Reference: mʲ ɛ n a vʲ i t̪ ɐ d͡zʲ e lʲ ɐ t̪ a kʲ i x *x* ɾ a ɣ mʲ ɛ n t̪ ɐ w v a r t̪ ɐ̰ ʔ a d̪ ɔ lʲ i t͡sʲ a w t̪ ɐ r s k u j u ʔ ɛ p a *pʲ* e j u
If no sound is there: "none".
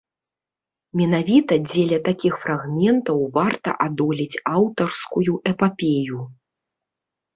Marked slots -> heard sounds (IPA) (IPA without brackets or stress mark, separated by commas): f, pʲ